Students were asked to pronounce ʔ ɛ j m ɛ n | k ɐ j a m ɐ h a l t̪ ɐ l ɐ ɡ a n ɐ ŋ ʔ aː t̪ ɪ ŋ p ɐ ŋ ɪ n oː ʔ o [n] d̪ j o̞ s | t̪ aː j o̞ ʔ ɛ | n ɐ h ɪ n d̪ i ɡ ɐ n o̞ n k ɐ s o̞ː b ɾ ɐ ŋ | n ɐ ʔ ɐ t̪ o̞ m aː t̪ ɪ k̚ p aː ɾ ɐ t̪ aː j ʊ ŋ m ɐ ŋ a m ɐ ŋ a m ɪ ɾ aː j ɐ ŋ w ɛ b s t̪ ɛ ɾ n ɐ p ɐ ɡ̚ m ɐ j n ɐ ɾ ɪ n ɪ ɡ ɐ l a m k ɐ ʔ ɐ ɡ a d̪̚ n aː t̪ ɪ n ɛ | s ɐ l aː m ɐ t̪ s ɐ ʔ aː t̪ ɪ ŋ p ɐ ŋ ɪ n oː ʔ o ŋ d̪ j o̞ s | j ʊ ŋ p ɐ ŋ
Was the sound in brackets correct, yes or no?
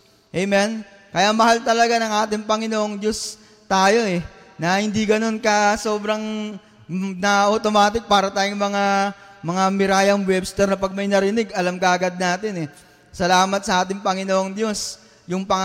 no